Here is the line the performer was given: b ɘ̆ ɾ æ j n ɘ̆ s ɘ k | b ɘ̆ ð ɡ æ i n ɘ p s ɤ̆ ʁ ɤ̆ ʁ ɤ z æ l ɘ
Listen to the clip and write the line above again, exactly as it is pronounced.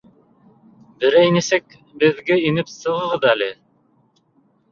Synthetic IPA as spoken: b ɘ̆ ɾ æ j n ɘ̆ s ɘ k | b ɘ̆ ð ɡ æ i n ɘ p s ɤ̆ ʁ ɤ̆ ʁ ɤ ð æ l ɘ